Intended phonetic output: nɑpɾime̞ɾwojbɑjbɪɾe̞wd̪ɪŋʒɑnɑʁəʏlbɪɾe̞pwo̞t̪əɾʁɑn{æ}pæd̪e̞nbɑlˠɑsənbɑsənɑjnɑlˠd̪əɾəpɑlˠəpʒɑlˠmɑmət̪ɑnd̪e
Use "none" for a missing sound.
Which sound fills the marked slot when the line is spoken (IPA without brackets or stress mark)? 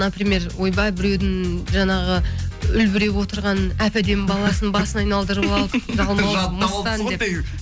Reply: æ